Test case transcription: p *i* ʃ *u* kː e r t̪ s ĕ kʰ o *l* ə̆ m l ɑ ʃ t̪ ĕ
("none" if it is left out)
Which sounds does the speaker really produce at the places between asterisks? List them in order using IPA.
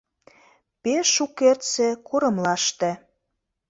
e, u, ɾ

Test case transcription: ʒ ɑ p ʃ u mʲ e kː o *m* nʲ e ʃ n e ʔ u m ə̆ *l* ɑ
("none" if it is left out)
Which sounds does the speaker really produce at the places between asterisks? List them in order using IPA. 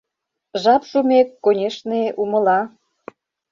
none, l

